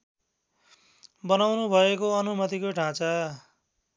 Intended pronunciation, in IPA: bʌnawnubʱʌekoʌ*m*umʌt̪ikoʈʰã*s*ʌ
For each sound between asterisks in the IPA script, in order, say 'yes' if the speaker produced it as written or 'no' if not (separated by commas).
no, no